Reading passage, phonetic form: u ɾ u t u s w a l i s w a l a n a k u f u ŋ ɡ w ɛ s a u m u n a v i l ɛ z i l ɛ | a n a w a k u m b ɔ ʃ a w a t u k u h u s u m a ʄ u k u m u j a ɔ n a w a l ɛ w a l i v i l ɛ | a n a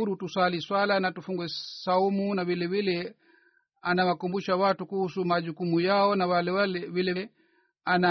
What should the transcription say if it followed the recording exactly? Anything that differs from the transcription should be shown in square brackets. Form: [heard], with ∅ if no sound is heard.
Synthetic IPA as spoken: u ɾ u t u s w a l i s w a l a n a [t] u f u ŋ ɡ w ɛ s a u m u n a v i l ɛ [v] i l ɛ | a n a w a k u m b [u] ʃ a w a t u k u h u s u m a ʄ u k u m u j a ɔ n a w a l ɛ w a l [ɛ] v i l ɛ | a n a